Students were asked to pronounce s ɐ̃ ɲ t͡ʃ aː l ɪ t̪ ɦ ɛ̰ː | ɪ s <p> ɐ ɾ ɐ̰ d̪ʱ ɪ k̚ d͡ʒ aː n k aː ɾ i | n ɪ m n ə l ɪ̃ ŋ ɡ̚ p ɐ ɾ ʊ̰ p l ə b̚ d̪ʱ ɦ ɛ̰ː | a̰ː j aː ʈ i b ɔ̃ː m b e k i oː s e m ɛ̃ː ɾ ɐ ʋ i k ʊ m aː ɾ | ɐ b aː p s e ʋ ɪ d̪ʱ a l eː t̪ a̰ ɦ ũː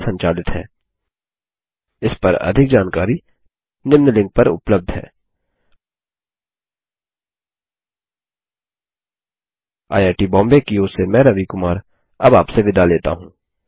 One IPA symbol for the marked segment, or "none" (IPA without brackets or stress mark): p